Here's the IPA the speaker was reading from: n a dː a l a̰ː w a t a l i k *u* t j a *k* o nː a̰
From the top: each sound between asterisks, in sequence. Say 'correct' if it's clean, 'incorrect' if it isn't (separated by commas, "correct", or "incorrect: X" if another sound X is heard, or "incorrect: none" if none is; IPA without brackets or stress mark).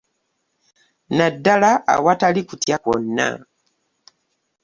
correct, correct